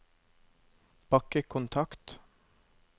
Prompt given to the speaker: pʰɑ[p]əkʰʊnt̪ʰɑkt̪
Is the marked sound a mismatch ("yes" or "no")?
yes